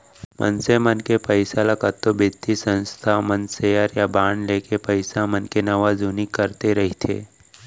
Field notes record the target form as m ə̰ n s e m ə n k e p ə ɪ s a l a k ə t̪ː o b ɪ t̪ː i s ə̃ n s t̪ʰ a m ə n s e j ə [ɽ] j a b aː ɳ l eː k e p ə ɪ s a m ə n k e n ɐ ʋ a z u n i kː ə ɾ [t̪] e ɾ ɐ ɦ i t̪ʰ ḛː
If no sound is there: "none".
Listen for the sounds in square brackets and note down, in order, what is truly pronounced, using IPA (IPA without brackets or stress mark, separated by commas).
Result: ɾ, t̪